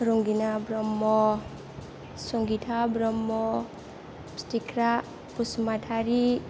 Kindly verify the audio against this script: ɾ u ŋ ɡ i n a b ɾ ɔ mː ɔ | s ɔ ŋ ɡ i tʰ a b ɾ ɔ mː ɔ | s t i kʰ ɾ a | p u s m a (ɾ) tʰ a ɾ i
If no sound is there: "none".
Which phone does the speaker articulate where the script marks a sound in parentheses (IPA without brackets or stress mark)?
none